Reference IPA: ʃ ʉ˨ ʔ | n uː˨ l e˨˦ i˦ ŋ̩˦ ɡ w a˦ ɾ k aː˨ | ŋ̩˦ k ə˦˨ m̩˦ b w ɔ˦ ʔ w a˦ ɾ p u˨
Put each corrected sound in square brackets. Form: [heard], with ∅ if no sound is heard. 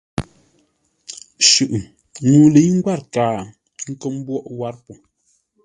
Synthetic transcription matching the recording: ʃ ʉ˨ ʔ | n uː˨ l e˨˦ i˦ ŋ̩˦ ɡ w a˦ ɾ k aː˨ | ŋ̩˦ k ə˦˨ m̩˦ b w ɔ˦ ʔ w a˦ ɾ p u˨